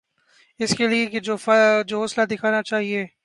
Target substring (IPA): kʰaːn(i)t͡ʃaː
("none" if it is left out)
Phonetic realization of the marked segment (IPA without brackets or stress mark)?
a